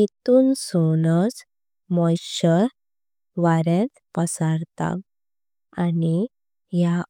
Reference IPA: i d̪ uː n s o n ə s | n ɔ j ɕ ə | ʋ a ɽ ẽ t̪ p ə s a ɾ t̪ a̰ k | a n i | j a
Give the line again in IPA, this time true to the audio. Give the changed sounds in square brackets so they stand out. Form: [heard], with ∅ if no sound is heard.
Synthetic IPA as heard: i [t̪] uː n s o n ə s | [m] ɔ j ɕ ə | ʋ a [ɾ] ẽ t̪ p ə s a ɾ t̪ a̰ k | a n i | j a